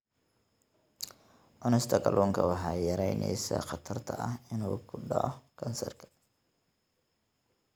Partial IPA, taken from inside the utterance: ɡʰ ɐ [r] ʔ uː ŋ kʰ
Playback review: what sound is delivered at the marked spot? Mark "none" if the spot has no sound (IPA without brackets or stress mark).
l